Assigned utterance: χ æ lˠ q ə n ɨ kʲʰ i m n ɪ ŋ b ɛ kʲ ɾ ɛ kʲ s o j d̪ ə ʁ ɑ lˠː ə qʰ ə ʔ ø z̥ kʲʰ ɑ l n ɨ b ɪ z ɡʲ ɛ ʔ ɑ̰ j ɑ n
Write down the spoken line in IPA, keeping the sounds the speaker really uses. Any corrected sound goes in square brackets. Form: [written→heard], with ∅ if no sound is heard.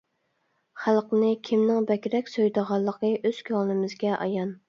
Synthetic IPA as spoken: χ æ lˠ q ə n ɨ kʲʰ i m n ɪ ŋ b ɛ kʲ ɾ ɛ kʲ s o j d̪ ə ʁ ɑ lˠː ə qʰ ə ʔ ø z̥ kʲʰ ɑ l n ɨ [b→m] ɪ z ɡʲ ɛ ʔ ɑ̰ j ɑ n